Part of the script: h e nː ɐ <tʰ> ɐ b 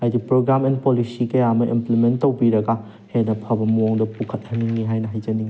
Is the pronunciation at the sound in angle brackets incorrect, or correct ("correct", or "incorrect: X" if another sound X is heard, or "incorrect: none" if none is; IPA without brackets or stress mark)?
incorrect: pʰ